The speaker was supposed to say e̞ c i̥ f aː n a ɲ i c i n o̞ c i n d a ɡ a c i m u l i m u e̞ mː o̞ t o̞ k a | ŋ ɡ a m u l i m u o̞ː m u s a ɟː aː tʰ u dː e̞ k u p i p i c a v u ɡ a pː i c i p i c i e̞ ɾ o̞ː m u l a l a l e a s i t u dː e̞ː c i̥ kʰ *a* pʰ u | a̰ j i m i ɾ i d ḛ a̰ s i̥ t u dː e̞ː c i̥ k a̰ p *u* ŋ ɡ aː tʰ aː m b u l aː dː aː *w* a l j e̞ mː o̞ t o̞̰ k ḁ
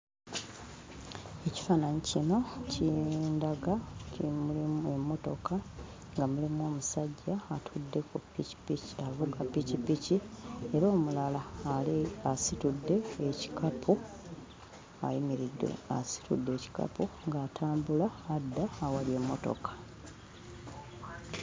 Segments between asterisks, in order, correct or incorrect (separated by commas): correct, correct, correct